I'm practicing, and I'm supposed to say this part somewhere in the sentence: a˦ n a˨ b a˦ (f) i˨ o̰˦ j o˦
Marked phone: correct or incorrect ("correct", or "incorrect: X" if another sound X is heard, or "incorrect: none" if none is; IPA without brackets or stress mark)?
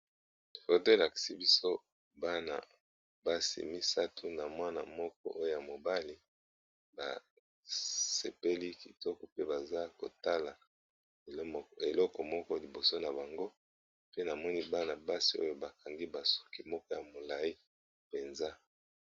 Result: incorrect: s